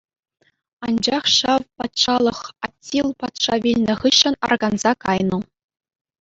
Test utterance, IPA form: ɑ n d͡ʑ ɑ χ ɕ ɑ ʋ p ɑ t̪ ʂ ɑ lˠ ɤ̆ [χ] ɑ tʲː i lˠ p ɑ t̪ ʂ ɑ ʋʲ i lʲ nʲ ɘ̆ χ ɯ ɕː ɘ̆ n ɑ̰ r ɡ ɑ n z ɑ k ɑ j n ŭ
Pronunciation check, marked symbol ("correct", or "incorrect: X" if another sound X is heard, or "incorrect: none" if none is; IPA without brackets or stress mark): correct